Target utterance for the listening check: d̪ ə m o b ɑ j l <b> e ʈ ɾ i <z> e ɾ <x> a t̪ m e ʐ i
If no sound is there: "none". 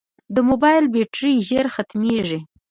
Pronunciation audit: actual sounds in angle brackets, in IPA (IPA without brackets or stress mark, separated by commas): b, ʒ, x